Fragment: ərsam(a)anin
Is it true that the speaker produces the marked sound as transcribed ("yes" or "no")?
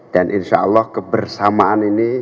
yes